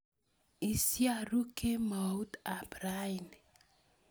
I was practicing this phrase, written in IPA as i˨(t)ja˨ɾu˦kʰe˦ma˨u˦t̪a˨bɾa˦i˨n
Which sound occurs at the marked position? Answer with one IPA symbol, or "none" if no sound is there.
s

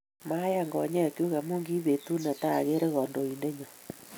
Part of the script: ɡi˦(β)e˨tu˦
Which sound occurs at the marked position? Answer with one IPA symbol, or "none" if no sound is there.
β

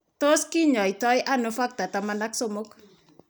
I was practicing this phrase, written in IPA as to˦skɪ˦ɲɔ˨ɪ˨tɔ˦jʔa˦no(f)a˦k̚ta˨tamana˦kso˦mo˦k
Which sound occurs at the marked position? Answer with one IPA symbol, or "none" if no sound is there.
f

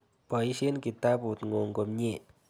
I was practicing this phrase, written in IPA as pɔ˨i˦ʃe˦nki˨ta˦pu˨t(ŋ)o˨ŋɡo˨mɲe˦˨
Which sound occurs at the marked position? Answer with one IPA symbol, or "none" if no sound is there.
ŋ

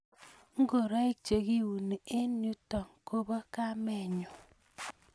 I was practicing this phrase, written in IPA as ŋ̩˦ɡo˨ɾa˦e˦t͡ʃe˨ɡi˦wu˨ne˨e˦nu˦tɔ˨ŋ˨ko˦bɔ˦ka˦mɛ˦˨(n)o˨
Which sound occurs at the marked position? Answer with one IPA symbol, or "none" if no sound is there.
ɲ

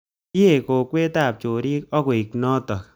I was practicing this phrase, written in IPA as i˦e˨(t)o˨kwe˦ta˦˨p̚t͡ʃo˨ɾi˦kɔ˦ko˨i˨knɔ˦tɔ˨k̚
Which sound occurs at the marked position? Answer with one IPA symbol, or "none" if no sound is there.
k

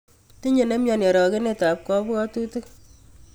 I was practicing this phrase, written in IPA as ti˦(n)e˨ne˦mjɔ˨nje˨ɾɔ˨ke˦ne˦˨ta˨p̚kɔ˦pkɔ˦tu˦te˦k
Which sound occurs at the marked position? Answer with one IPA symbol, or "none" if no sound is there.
ɲ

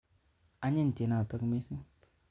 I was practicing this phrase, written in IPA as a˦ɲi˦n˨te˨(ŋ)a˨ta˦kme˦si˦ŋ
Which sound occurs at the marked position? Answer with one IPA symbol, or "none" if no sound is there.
n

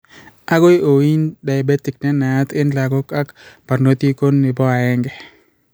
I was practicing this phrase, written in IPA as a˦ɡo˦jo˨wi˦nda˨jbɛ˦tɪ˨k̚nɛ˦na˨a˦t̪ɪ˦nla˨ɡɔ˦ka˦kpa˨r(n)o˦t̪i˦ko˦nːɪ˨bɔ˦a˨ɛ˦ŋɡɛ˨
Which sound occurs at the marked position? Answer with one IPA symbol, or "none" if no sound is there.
n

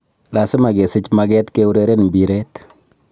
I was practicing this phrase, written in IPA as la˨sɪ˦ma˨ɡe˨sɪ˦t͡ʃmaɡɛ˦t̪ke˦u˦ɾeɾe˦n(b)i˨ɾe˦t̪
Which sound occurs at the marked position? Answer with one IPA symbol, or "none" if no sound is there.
b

